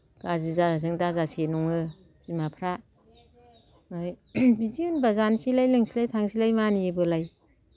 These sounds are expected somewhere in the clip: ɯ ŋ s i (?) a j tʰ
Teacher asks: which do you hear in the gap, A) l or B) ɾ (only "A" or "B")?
A